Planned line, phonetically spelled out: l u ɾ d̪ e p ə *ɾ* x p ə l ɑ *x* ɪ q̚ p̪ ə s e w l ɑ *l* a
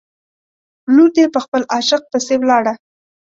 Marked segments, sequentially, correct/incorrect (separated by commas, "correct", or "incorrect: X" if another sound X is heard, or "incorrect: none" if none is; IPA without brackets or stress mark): incorrect: none, incorrect: ʃ, incorrect: ɽ